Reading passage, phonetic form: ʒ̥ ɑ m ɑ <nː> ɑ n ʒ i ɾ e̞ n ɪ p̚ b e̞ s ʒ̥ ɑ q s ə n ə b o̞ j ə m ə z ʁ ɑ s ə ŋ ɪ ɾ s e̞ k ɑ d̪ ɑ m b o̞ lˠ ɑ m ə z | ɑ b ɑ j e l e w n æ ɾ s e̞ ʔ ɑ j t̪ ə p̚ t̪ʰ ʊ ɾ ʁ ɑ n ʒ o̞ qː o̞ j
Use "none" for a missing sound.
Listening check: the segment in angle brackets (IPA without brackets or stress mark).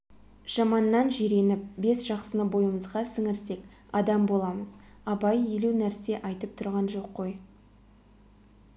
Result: nː